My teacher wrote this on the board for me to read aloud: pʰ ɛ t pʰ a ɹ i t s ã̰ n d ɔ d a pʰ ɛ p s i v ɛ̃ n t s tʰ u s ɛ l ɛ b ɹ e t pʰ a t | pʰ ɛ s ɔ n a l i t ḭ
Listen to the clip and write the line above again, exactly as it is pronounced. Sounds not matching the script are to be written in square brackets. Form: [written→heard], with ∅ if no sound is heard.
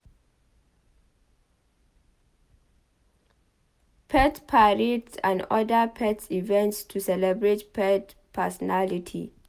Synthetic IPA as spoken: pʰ ɛ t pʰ a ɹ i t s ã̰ n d ɔ d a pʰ ɛ [p→t] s i v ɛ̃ n t s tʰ u s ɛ l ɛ b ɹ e t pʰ [a→ɛ] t | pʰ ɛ s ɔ n a l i [t→tʰ] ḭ